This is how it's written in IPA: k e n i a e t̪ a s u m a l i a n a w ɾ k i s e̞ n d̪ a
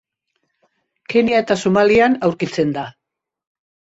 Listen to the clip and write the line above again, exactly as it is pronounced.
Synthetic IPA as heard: k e n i a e t̪ a s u m a l i a n a w ɾ k i t͡s e̞ n d̪ a